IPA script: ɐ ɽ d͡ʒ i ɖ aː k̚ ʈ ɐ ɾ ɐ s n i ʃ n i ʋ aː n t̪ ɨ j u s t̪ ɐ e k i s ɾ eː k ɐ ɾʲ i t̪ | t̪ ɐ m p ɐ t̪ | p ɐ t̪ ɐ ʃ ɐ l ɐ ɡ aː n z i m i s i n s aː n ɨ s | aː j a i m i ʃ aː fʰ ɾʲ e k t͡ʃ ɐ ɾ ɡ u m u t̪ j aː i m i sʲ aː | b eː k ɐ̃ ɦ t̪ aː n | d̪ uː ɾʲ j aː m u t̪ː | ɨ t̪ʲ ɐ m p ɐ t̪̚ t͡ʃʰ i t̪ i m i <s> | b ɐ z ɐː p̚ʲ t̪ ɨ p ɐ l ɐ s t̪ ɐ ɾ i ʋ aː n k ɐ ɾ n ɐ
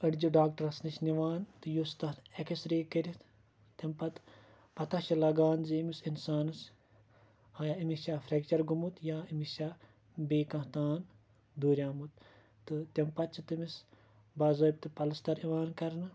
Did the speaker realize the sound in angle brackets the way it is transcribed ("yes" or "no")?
yes